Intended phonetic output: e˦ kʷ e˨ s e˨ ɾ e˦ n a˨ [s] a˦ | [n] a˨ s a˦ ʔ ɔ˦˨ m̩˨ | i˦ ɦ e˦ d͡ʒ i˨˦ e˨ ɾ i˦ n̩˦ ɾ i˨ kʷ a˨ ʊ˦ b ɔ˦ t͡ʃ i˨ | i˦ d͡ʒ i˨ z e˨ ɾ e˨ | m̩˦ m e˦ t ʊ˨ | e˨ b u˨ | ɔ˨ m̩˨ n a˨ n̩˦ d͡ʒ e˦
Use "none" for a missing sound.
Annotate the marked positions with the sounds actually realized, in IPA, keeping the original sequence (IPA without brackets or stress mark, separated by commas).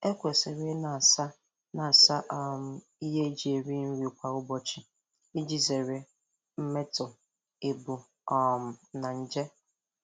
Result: s, n